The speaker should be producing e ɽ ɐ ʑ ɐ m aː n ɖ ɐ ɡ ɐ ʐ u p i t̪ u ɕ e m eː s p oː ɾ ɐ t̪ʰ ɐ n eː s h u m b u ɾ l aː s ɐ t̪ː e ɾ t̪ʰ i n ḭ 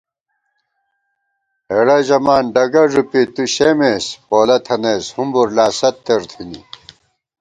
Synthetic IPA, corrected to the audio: e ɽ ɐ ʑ ɐ m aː n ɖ ɐ ɡ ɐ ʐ u p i t̪ u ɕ e m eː s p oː l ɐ t̪ʰ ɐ n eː s h u m b u ɾ l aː s ɐ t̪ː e ɾ t̪ʰ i n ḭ